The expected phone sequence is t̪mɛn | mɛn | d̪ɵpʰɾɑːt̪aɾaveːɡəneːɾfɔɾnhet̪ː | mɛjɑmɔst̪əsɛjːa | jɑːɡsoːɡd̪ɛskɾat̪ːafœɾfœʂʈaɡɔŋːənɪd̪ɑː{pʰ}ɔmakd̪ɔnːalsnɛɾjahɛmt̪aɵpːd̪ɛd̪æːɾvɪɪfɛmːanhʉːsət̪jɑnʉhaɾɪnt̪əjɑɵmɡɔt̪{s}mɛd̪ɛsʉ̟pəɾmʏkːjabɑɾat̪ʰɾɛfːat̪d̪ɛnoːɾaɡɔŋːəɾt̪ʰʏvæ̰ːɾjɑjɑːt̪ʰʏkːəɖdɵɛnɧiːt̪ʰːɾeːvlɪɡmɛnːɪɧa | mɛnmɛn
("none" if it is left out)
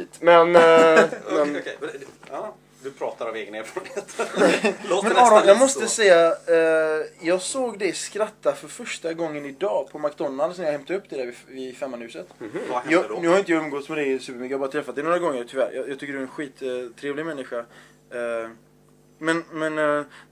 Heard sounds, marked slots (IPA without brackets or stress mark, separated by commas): pʰ, s